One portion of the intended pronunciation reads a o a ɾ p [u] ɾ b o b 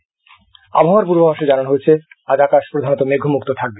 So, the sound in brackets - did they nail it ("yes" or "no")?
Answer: yes